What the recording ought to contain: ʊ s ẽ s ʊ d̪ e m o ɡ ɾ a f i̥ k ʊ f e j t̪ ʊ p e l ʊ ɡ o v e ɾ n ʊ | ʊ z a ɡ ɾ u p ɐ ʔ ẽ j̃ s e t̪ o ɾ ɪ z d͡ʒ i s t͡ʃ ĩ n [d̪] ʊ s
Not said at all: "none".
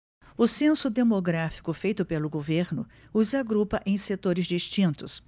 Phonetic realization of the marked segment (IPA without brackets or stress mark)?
t̪